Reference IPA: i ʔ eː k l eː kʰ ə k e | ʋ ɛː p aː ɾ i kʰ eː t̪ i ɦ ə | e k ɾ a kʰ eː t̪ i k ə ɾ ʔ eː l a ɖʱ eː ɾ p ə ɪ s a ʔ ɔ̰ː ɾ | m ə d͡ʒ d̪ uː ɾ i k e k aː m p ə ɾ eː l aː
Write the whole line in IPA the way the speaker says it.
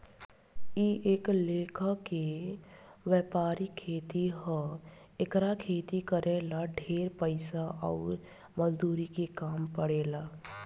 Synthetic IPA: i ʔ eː k l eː kʰ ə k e | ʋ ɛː p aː ɾ i kʰ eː t̪ i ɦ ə | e k ɾ a kʰ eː t̪ i k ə ɾ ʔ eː l a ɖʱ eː ɾ p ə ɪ s a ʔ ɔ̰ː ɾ | m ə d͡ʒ d̪ uː ɾ i k e k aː m p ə ɽ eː l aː